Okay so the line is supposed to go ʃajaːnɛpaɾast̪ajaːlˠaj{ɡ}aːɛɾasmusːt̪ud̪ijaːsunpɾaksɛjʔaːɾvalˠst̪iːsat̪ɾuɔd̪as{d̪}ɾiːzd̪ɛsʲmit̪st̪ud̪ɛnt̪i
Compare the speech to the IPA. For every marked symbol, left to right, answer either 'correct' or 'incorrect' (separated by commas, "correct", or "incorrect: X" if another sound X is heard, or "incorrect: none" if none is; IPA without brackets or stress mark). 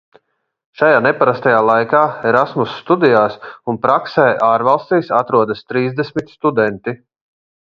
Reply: incorrect: k, incorrect: t̪